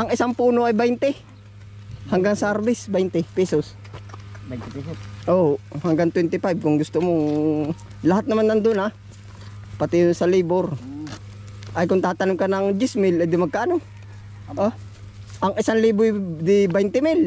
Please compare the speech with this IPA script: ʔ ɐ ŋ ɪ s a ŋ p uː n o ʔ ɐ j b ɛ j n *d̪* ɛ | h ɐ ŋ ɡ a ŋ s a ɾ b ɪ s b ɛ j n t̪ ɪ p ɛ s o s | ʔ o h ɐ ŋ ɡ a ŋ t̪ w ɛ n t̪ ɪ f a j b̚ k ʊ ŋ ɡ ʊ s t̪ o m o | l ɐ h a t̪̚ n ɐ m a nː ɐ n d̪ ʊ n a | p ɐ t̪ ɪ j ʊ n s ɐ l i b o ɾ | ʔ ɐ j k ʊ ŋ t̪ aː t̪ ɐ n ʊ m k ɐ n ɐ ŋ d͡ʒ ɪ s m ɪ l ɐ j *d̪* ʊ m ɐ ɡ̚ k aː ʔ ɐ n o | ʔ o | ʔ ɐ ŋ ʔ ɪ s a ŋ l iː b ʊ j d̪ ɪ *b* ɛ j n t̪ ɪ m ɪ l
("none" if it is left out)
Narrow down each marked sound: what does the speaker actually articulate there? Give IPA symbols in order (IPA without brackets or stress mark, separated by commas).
t̪, d̪, b